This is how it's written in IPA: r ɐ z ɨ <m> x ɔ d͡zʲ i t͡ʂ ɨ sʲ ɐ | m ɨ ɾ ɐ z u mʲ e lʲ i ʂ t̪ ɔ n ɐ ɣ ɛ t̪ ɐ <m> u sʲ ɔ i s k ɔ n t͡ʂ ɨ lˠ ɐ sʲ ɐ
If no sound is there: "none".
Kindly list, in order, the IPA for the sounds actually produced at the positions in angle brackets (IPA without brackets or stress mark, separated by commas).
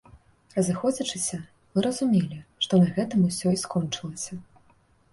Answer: none, m